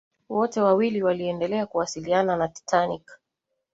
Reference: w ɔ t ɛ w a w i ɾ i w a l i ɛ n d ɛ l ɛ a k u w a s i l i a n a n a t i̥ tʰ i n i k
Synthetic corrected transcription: w ɔ t ɛ w a w i l i w a l i ɛ n d ɛ l ɛ a k u w a s i l i a n a n a t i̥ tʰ a n i k